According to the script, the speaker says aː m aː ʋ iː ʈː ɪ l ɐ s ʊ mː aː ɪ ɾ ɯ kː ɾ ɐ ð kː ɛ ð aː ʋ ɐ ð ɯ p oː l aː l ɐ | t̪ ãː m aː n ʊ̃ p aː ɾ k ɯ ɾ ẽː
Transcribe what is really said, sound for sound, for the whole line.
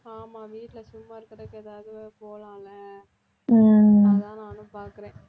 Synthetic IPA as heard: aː m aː ʋ iː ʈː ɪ l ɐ s ʊ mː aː ɪ ɾ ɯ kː ɾ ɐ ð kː ɛ ð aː ʋ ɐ ð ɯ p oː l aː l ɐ | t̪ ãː n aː n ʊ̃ p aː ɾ k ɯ ɾ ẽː